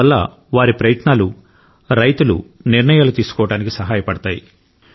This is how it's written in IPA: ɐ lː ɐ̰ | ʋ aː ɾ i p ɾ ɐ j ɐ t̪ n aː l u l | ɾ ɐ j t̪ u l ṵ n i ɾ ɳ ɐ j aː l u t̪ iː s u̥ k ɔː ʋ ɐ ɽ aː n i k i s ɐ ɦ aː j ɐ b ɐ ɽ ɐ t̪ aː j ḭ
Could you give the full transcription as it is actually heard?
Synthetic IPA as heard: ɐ lː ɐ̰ | ʋ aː ɾ i p ɾ ɐ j ɐ t̪ n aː l u | ɾ ɐ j t̪ u l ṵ n i ɾ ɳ ɐ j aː l u t̪ iː s u̥ k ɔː ʋ ɐ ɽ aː n i k i s ɐ ɦ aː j ɐ p ɐ ɽ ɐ t̪ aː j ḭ